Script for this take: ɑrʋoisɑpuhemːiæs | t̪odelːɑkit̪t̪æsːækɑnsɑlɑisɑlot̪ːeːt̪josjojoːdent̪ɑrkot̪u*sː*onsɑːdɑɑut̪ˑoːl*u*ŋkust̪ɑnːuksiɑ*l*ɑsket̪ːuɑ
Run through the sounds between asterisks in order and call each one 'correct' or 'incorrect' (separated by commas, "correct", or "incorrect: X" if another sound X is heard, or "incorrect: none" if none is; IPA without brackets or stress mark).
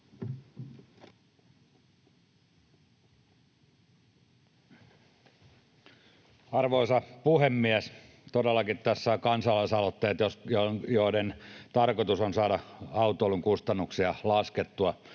incorrect: s, correct, correct